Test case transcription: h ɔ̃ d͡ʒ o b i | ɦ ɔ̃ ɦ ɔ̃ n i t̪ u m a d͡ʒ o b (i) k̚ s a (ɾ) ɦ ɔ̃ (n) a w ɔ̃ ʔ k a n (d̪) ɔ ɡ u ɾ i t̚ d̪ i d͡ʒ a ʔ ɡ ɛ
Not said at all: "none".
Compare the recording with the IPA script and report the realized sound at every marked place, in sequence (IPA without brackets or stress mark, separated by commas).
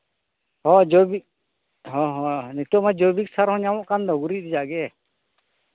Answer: i, ɾ, ɲ, d̪